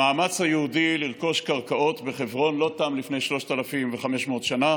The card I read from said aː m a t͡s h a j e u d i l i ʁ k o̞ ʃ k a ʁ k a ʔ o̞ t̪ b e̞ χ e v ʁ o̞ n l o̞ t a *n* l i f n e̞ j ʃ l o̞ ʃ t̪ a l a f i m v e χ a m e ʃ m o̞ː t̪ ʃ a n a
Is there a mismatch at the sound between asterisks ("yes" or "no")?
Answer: yes